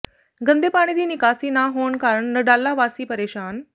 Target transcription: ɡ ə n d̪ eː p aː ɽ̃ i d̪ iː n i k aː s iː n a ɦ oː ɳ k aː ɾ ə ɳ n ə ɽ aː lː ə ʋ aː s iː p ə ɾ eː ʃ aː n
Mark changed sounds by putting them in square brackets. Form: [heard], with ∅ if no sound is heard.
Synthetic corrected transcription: ɡ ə n d̪ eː p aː ɽ̃ i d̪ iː n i k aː s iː n a ɦ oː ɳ k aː ɾ ə ɳ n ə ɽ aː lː [a] ʋ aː s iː p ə ɾ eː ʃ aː n